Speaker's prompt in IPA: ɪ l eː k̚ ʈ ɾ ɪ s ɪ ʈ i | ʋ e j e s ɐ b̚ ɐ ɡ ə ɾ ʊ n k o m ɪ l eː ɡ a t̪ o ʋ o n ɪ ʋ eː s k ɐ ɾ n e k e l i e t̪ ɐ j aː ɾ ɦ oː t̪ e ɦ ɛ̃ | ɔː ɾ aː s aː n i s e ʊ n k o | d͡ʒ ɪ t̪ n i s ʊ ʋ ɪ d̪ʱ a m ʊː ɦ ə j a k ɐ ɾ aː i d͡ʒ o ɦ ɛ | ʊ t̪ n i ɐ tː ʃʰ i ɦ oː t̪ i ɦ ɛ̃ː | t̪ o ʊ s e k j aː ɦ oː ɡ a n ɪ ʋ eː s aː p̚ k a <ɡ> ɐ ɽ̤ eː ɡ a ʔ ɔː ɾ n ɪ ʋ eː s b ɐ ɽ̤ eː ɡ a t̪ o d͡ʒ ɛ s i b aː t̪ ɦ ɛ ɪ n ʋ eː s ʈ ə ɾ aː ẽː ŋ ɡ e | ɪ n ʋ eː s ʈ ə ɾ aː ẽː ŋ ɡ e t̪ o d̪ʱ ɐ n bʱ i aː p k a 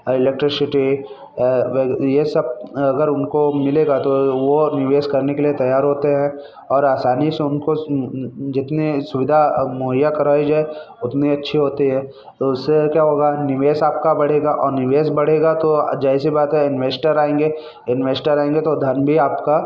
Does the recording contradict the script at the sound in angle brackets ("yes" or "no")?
yes